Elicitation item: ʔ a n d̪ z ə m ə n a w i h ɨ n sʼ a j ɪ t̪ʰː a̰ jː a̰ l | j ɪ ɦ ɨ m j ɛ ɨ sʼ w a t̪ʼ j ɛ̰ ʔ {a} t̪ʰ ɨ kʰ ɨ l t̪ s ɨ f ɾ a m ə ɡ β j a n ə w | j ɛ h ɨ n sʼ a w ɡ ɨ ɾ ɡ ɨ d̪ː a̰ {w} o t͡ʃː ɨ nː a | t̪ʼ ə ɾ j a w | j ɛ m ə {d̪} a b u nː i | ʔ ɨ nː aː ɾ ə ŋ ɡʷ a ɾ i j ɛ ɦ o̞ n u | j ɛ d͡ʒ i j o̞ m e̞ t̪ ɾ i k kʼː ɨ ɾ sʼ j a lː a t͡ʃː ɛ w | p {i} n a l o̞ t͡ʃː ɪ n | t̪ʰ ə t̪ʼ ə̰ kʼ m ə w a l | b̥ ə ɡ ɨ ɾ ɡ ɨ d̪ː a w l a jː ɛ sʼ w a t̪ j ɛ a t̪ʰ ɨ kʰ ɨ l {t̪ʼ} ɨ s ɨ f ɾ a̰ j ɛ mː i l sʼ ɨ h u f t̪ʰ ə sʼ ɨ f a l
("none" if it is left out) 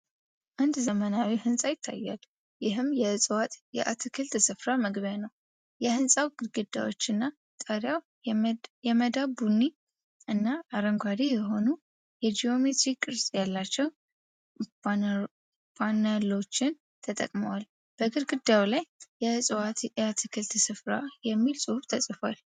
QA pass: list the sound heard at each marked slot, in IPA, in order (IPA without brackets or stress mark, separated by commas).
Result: a, w, d̪, a, t̪